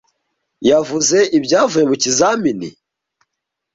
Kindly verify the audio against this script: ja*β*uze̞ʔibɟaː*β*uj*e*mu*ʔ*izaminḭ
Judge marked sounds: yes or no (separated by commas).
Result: no, no, yes, no